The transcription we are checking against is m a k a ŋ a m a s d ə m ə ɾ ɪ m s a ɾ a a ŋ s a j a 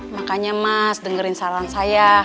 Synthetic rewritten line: m a k a ɲ a m a s d ə ŋ ə ɾ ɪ n s a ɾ a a n s a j a